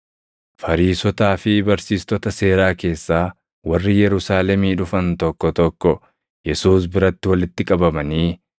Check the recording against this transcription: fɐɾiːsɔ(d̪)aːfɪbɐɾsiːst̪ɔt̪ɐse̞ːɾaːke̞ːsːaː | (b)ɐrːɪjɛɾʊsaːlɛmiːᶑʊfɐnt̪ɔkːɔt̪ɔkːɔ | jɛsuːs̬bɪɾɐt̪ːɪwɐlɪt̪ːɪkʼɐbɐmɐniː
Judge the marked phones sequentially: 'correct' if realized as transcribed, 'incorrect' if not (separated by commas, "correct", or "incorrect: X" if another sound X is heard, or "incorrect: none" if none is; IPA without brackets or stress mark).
incorrect: t̪, incorrect: w